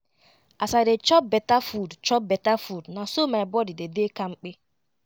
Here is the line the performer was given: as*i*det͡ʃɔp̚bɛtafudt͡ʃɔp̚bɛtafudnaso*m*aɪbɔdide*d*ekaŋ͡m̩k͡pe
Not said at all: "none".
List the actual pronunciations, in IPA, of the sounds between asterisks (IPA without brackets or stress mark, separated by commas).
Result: a, m, d